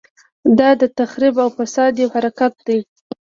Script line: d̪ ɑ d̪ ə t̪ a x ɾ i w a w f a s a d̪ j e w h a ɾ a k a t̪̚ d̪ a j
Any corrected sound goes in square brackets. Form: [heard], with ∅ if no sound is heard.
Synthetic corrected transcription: d̪ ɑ d̪ ə t̪ a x ɾ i [b] a w f a s [ɑ] d̪ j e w h a ɾ a k a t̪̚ d̪ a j